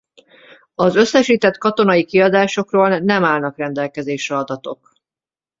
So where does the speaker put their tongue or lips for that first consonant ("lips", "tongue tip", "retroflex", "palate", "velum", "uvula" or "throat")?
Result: tongue tip